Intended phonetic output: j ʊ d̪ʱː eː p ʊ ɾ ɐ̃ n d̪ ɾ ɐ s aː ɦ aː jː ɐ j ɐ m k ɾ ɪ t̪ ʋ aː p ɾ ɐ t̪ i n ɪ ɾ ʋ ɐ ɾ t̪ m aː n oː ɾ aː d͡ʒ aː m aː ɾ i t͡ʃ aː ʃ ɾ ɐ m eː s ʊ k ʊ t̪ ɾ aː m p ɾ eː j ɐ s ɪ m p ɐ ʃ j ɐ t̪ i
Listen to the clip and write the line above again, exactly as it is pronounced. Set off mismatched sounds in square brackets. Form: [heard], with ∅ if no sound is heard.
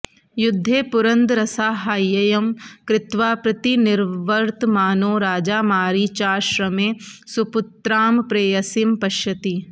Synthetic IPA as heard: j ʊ d̪ʱː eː p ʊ ɾ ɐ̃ n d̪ ɾ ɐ s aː ɦ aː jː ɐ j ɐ m k ɾ ɪ t̪ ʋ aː p ɾ ɐ t̪ i n ɪ ɾ ʋ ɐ ɾ t̪ m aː n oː ɾ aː d͡ʒ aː m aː ɾ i t͡ʃ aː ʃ ɾ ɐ m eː s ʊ [p] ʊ t̪ ɾ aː m p ɾ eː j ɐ s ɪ m p ɐ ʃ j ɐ t̪ i